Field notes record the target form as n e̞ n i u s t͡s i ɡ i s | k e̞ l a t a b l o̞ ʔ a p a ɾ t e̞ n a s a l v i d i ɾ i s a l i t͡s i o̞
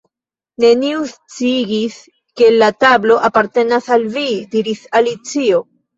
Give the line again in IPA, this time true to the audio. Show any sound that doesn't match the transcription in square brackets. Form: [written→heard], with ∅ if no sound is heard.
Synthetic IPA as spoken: n e̞ n i u s t͡s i ɡ i s | k e̞ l a t a b l o̞ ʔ a p a ɾ t e̞ n a s a l v i d i ɾ i s a l i t͡s i o̞

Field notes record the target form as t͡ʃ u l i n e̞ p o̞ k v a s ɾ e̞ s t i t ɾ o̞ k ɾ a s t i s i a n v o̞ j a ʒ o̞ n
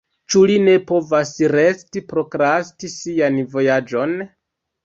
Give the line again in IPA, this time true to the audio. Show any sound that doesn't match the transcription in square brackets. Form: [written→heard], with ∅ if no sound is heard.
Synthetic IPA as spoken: t͡ʃ u l i n e̞ p o̞ [k→∅] v a s ɾ e̞ s t i [t→p] ɾ o̞ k ɾ a s t i s i a n v o̞ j a [ʒ→d͡ʒ] o̞ n

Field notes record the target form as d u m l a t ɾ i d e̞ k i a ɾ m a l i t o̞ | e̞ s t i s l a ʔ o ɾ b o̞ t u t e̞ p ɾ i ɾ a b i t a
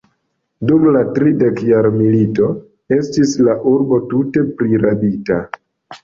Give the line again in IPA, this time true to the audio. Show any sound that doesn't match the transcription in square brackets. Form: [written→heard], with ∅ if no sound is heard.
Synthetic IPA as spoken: d u m l a t ɾ i d e̞ k [i→j] a ɾ m [a→i] l i t o̞ | e̞ s t i s l a ʔ [o→u] ɾ b o̞ t u t e̞ p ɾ i ɾ a b i t a

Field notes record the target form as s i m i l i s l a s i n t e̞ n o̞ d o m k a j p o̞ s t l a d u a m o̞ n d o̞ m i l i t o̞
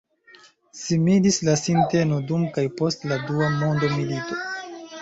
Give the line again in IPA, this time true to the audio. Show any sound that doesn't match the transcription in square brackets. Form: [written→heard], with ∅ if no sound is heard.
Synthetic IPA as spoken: s i m i l i s l a s i n t e̞ n o̞ d [o→u] m k a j p o̞ s t l a d u a m o̞ n d o̞ m i l i t o̞

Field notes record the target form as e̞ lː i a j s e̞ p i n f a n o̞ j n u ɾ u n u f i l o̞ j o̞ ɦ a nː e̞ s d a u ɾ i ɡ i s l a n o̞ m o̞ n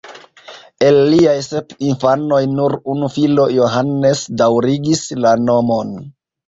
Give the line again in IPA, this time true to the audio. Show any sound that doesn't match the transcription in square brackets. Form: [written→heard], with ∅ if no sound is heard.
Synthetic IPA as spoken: e̞ lː i a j s e̞ p i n f a n o̞ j n u ɾ u n u f i l o̞ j o̞ ɦ a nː e̞ s d a [u→w] ɾ i ɡ i s l a n o̞ m o̞ n

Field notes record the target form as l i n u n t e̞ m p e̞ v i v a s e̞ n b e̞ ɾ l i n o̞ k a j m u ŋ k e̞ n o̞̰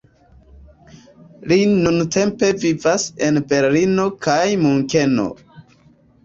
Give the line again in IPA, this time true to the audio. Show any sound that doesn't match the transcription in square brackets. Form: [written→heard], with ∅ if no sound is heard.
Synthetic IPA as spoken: l i n u n t e̞ m p e̞ v i v a s e̞ n b e̞ ɾ l i n o̞ k a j m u ŋ k e̞ n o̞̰

